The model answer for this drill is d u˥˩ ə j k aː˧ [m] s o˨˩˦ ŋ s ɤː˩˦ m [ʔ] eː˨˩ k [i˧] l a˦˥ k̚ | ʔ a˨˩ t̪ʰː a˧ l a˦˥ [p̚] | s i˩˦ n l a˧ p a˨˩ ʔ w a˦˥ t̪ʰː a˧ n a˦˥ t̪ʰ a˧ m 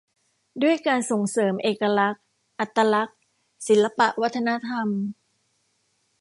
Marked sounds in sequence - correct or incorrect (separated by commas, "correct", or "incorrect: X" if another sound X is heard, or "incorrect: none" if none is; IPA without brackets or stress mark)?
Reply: incorrect: n, correct, incorrect: a˧, incorrect: k̚